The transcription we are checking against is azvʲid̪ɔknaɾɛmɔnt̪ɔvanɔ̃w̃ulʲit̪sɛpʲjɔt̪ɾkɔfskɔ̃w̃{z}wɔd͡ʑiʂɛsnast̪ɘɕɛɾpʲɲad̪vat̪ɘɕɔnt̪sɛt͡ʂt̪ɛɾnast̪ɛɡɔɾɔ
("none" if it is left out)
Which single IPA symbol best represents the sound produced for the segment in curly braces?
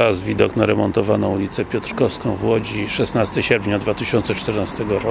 v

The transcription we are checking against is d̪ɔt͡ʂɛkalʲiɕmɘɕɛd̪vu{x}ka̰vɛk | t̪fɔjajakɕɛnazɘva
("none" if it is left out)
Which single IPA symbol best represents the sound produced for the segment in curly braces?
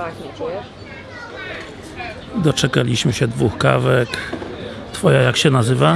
x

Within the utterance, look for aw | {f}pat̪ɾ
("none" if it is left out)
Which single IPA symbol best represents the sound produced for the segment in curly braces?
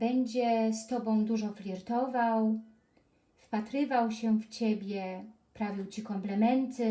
f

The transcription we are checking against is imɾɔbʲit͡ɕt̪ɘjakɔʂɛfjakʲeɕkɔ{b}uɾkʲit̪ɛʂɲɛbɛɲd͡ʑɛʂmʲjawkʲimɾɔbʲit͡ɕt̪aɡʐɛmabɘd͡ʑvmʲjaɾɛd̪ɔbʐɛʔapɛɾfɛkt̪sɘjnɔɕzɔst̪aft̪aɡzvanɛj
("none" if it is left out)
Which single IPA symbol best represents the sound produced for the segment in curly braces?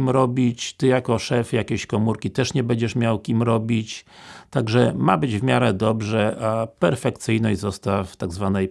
m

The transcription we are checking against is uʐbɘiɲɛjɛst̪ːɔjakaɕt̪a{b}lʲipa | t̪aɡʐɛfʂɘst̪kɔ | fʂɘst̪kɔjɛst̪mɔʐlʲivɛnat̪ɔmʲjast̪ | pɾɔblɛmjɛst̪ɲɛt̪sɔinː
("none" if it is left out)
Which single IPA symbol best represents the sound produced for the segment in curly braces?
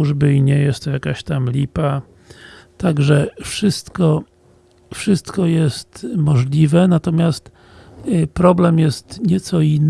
m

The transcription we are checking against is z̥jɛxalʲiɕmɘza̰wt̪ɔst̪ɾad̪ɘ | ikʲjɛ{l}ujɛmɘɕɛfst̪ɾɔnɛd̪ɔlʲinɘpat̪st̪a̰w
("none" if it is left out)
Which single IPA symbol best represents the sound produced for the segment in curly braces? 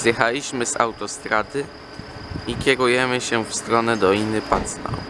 ɾ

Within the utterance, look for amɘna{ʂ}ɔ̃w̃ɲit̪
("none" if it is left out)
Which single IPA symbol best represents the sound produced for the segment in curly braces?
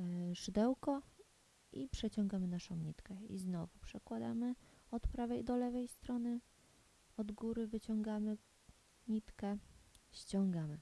ʂ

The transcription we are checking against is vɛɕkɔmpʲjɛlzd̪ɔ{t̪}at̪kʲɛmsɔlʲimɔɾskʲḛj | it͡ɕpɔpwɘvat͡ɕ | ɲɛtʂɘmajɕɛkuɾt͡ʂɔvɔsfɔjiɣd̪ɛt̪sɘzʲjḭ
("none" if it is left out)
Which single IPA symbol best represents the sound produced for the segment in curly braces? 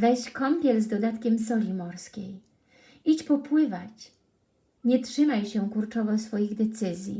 d̪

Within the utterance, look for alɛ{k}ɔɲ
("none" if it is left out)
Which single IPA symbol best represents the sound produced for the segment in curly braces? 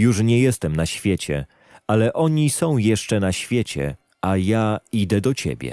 ʔ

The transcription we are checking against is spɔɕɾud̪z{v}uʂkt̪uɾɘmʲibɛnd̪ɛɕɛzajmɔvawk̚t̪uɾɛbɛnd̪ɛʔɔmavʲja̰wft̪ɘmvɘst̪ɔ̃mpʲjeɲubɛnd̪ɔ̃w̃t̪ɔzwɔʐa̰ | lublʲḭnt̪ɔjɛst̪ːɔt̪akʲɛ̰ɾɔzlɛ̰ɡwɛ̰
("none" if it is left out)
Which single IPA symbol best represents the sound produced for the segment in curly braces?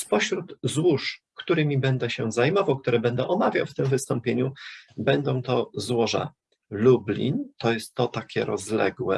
w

